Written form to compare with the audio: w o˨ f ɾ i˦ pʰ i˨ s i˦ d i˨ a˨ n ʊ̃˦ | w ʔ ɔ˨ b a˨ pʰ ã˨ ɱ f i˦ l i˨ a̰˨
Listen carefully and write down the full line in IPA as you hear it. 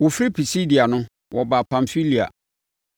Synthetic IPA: w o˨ f ɾ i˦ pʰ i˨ s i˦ d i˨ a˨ n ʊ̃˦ | w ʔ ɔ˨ b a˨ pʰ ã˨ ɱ f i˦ l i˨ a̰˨